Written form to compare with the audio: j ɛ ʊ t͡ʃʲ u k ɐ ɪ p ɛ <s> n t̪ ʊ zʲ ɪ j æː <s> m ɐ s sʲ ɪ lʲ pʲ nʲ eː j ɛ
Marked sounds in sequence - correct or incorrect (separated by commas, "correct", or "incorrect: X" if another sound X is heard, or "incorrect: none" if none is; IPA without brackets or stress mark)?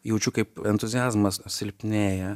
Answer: incorrect: none, incorrect: z